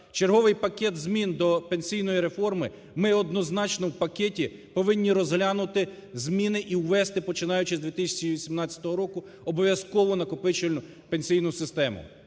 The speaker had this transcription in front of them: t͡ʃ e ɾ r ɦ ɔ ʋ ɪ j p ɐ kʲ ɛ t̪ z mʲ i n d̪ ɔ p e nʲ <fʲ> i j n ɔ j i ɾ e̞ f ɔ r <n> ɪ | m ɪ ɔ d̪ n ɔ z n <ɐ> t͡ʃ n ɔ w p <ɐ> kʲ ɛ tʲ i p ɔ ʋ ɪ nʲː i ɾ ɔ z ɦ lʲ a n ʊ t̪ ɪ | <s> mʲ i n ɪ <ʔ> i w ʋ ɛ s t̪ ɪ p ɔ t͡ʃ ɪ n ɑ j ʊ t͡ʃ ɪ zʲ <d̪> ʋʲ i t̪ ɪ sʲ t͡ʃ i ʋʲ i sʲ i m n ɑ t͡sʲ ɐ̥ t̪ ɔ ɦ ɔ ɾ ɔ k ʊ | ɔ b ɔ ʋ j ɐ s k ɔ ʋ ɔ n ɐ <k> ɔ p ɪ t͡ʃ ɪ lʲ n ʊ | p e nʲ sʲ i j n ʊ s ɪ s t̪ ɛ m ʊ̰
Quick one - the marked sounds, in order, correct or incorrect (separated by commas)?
incorrect, incorrect, incorrect, correct, incorrect, correct, correct, correct